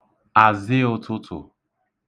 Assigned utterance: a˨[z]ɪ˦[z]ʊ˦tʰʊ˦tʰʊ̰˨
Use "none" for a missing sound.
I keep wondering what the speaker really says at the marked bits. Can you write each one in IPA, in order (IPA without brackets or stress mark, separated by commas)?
z, none